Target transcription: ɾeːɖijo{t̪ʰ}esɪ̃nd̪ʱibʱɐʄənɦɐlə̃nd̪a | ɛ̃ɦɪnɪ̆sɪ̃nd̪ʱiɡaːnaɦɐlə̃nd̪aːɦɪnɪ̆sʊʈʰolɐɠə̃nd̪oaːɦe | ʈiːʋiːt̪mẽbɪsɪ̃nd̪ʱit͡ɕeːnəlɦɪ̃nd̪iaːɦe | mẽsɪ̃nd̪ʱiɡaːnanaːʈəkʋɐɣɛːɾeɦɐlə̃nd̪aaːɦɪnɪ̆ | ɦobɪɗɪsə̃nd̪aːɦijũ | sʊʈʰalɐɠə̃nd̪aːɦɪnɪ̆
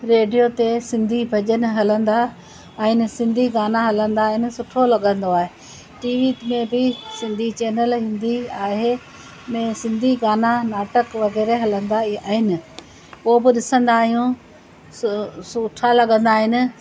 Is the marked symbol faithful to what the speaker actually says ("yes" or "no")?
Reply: no